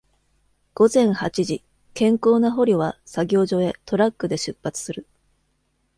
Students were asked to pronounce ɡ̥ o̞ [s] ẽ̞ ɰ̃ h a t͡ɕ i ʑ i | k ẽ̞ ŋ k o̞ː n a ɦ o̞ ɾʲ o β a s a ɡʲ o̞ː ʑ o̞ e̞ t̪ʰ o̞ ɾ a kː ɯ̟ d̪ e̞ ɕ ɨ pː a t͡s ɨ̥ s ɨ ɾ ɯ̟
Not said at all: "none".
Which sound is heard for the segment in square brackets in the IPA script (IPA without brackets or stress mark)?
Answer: z